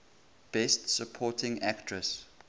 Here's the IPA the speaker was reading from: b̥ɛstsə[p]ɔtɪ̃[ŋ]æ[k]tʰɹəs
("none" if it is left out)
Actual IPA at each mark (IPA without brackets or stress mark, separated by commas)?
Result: pʰ, ŋ, k